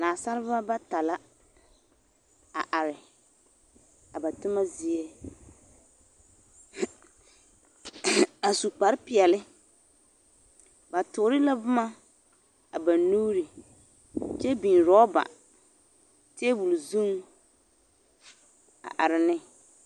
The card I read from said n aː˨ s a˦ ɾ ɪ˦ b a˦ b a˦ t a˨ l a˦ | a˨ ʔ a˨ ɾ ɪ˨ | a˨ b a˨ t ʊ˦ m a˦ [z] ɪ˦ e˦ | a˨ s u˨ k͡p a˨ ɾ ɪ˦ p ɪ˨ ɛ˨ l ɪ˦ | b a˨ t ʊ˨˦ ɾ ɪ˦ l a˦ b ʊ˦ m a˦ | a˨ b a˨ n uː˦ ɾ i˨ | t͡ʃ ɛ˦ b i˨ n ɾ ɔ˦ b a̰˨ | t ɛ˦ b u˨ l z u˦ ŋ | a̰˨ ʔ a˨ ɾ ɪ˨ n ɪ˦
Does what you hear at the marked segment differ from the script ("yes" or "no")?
no